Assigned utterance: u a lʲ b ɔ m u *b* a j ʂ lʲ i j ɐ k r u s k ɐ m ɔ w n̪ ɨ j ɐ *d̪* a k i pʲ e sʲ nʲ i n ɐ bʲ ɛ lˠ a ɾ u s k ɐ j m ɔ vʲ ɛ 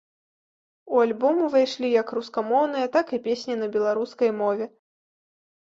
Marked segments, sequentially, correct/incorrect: incorrect, incorrect

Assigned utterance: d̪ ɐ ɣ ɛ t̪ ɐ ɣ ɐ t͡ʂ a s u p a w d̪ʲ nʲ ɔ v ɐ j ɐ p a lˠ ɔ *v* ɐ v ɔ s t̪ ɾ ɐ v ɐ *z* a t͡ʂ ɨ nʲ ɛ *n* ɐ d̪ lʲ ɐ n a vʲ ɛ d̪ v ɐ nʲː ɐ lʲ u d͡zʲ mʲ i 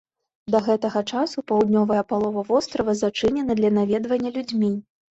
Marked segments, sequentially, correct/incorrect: correct, correct, correct

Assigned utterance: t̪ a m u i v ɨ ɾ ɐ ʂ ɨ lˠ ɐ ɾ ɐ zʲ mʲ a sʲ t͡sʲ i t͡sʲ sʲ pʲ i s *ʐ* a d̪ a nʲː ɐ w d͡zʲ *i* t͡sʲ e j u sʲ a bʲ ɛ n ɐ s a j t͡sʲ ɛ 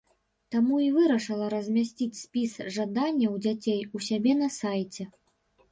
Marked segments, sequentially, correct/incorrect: correct, incorrect

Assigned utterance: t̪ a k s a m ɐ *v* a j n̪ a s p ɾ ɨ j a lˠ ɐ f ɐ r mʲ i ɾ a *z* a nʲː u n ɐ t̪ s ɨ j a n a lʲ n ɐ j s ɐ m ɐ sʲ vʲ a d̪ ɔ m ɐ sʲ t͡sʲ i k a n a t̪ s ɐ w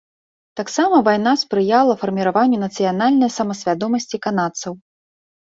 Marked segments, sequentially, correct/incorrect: correct, incorrect

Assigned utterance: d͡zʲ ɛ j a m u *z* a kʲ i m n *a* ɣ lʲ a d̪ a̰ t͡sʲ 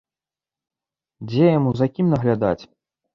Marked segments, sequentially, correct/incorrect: correct, incorrect

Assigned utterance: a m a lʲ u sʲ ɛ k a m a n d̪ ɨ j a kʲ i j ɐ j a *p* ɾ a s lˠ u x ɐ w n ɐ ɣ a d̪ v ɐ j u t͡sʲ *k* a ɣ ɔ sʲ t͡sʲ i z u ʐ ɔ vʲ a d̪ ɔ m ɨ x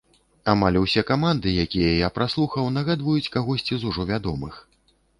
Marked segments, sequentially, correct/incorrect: correct, correct

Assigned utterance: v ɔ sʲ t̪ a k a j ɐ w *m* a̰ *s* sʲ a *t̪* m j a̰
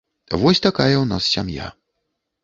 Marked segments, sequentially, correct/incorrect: incorrect, correct, incorrect

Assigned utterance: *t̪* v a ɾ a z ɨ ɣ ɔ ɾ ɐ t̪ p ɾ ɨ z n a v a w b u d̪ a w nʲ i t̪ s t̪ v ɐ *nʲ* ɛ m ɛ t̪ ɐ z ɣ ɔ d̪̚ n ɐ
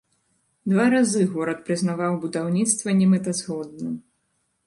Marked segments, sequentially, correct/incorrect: incorrect, correct

